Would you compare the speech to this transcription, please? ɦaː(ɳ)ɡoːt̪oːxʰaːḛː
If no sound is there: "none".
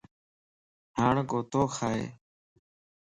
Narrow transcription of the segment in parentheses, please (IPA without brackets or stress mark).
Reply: ɳ